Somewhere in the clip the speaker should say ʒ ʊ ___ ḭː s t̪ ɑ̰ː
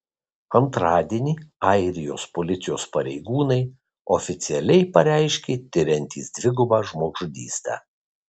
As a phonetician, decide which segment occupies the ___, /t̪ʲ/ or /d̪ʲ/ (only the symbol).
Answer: d̪ʲ